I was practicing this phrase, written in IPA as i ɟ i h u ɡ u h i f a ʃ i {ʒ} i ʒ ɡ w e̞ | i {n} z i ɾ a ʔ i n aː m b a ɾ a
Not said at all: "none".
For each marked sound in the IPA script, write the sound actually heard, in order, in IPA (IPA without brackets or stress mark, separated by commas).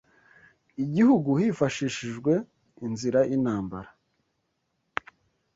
ʃ, n